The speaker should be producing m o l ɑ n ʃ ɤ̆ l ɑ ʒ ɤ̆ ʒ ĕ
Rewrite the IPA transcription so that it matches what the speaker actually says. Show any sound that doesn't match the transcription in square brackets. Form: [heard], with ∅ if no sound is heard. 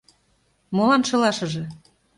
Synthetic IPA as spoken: m o l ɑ n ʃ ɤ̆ l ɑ [ʃ] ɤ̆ ʒ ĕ